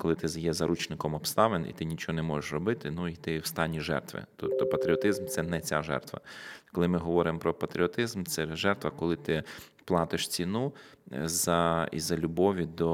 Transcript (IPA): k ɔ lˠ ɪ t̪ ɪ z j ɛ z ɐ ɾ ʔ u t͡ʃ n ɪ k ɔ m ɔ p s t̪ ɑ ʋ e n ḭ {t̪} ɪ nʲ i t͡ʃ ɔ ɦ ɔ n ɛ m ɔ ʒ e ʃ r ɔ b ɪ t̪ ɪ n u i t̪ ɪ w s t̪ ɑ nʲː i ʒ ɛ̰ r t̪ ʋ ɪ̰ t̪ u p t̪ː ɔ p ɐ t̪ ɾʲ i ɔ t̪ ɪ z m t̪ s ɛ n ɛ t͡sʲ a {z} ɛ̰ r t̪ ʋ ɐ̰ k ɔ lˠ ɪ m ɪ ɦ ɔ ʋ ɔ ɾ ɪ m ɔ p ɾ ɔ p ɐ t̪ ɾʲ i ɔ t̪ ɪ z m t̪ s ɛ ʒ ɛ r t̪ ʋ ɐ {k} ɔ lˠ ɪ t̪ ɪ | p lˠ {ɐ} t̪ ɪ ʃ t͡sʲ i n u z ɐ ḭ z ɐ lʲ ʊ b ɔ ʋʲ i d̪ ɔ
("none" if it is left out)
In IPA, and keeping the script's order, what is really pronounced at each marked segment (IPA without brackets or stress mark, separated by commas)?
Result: t̪, ʒ, k, ɑ